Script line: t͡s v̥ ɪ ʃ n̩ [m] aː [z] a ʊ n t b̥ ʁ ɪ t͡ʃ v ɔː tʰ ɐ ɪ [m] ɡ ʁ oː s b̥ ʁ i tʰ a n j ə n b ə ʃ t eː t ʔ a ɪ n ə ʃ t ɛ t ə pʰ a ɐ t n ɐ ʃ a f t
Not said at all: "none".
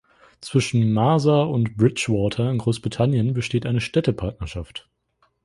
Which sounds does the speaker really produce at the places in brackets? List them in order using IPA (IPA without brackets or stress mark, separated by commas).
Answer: m, z, n